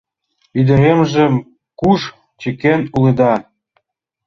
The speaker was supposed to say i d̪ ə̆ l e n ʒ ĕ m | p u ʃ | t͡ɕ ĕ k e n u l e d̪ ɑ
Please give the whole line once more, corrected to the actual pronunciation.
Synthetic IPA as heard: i d̪ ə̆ ɾ e m ʒ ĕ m | k u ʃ | t͡ɕ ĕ k e n u l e d̪ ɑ

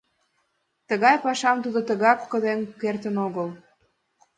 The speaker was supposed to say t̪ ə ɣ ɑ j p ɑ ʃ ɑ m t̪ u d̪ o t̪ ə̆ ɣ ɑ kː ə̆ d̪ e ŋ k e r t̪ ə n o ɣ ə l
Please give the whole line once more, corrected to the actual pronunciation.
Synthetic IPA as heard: t̪ ə ɣ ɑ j p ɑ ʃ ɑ m t̪ u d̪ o t̪ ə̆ ɣ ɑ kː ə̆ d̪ e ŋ k e r t̪ ə n o ɣ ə l

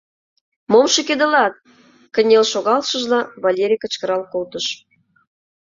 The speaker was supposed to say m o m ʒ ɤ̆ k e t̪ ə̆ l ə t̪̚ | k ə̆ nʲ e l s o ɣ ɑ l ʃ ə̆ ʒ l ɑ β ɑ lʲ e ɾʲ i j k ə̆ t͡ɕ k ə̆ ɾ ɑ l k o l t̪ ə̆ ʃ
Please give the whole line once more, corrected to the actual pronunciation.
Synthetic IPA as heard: m o m ʃ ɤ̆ k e d̪ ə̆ l ɑ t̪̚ | k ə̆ nʲ e l ʃ o ɣ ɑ l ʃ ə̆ ʒ l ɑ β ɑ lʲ e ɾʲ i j k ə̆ t͡ɕ k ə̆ ɾ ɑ l k o l t̪ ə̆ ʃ

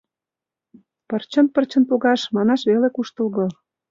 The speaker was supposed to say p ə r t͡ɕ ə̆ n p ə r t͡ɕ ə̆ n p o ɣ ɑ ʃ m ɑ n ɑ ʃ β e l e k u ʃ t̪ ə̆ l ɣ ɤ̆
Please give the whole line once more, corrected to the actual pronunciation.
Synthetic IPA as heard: p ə r t͡ɕ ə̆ n p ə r t͡ɕ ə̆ n p o ɣ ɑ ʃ m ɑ n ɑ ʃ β e l e k u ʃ t̪ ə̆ l ɣ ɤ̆

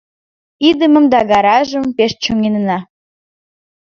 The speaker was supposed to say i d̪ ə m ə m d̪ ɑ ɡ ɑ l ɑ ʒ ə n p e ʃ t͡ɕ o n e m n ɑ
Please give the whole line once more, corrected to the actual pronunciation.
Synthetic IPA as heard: i d̪ ə m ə m d̪ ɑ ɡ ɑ ɾ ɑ ʒ ə m p e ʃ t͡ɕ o ŋ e n n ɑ

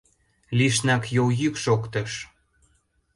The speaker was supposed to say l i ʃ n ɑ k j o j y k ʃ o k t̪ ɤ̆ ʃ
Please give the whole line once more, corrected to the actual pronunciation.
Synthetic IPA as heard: l i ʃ n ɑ k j o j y k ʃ o k t̪ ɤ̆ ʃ

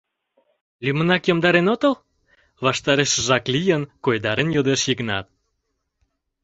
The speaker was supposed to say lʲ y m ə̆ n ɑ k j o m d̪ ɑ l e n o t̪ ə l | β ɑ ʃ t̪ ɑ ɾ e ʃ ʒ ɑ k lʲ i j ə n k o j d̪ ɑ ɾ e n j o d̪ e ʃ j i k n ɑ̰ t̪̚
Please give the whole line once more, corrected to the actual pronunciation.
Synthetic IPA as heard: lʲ y m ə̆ n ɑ k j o m d̪ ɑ ɾ e n o t̪ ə l | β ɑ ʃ t̪ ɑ ɾ e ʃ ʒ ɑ k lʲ i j ə n k o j d̪ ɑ ɾ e n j o d̪ e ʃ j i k n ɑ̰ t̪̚

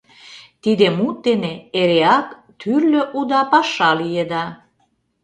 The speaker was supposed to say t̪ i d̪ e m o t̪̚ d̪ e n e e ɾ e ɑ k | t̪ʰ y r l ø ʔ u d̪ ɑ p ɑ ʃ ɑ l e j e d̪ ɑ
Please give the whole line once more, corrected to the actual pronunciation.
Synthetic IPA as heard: t̪ i d̪ e m u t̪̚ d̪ e n e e ɾ e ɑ k | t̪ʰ y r l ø ʔ u d̪ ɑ p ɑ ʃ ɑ l i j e d̪ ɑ

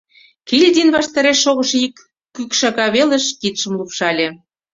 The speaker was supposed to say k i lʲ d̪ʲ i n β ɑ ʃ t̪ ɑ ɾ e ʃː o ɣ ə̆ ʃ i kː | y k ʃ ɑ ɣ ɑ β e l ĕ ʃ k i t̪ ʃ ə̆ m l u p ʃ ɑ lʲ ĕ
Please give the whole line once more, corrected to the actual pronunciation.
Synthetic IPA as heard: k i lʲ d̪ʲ i n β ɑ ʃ t̪ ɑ ɾ e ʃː o ɣ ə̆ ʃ i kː | y k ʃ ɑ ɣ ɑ β e l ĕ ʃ k i t̪ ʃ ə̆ m l u p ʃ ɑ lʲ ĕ

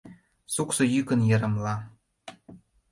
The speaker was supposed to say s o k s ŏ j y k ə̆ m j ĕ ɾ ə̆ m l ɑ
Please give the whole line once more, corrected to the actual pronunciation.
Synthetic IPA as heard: s u k s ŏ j y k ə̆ n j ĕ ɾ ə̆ m l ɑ

